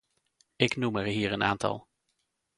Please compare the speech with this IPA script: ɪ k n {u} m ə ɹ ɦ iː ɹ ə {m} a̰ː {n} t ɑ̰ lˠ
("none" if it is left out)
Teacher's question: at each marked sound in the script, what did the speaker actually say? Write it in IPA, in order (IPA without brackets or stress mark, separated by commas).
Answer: u, n, n